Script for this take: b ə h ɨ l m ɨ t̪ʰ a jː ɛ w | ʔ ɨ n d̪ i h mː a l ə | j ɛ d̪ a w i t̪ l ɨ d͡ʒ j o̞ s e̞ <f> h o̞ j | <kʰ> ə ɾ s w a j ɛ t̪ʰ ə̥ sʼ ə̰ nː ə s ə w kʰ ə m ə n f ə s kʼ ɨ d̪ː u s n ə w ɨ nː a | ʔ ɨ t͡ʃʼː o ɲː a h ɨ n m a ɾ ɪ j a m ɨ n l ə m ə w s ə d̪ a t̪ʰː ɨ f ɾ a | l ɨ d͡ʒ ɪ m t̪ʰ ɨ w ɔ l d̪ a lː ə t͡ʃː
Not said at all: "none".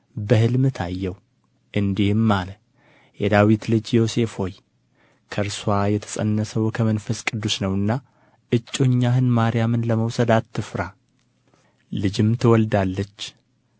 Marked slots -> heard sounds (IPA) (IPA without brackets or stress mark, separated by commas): f, kʰ